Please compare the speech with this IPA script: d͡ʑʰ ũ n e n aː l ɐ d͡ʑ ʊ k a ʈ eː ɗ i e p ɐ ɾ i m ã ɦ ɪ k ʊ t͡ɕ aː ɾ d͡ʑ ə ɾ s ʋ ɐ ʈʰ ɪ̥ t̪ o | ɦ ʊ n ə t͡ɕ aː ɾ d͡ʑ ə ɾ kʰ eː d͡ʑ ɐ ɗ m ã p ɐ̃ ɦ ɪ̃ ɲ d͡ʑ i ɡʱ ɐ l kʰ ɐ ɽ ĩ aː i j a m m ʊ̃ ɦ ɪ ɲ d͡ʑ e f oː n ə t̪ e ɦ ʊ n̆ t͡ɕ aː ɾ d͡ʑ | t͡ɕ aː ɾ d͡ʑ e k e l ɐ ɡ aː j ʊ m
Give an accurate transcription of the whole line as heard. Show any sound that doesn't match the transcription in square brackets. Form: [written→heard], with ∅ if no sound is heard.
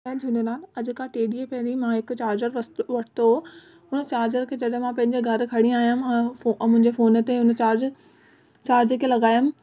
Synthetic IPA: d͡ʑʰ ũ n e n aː l ɐ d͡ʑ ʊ k a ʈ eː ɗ i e p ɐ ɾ i m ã ɦ ɪ k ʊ t͡ɕ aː ɾ d͡ʑ ə ɾ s ʋ ɐ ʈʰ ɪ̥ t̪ o | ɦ ʊ n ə t͡ɕ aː ɾ d͡ʑ ə ɾ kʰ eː d͡ʑ ɐ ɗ m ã p ɐ̃ ɦ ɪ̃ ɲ d͡ʑ [i→e] ɡʱ ɐ [l→ɾ] kʰ ɐ ɽ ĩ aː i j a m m ʊ̃ ɦ ɪ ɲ d͡ʑ e f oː n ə t̪ e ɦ ʊ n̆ t͡ɕ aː ɾ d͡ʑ | t͡ɕ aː ɾ d͡ʑ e k e l ɐ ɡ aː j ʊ m